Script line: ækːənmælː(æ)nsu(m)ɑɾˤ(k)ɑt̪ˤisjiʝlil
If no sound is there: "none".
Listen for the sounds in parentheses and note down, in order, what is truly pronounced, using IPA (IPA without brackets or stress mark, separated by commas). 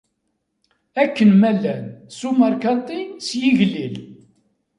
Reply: æ, m, k